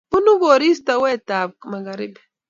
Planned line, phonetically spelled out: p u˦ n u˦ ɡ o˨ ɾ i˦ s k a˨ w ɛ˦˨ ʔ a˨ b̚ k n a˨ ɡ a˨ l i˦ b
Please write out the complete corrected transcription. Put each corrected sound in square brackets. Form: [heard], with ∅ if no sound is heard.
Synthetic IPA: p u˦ n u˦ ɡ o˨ ɾ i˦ s [t] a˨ w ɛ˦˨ [t] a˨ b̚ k [m] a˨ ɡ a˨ [ɾ] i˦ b